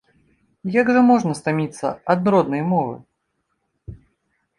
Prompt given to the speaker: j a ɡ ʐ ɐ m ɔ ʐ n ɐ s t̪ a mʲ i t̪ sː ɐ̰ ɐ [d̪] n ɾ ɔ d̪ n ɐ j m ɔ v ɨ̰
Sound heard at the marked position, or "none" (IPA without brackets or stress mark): d̪